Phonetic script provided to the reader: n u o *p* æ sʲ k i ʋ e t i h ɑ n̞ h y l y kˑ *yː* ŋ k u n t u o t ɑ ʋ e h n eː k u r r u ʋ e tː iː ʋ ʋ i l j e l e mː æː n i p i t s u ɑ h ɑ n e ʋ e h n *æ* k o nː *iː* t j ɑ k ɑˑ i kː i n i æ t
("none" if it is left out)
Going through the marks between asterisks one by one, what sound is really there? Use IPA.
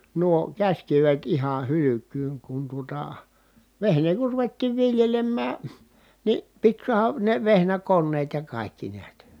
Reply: k, yː, æ, eː

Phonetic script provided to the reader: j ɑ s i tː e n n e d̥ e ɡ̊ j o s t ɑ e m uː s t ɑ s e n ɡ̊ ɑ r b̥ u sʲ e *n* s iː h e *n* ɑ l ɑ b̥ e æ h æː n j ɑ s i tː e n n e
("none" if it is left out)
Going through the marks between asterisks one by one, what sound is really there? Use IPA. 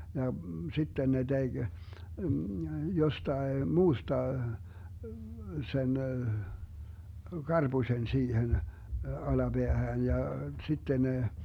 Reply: n, n

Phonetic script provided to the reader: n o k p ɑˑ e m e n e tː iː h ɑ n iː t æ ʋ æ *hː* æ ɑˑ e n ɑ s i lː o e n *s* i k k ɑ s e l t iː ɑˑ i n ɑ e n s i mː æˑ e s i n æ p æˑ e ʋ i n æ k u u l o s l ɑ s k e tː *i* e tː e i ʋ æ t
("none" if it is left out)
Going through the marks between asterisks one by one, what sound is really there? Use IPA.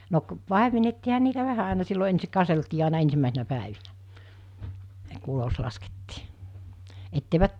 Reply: h, s, iː

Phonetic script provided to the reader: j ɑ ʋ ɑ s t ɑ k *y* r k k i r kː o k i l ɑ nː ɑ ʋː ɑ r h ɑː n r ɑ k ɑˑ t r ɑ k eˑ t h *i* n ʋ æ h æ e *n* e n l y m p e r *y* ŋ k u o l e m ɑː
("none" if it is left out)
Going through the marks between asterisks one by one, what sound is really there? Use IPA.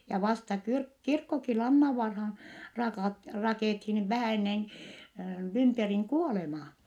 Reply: y, i, nː, i

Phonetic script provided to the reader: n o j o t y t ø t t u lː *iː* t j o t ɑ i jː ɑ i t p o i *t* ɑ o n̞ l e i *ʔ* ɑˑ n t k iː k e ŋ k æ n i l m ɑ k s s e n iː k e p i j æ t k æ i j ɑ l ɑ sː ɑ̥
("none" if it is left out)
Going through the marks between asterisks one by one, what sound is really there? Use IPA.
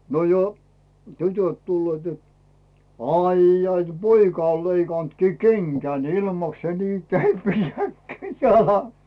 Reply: eː, k, k

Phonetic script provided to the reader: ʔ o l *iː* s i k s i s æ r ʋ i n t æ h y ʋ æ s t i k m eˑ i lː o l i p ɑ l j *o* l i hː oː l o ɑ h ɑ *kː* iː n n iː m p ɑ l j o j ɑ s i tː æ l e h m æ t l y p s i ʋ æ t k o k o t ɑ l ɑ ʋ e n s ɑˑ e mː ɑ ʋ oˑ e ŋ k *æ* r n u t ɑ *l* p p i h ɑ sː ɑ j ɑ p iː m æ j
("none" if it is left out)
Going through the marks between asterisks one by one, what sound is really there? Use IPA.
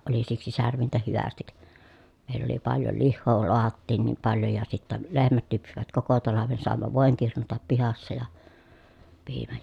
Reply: i, o, tː, i, none

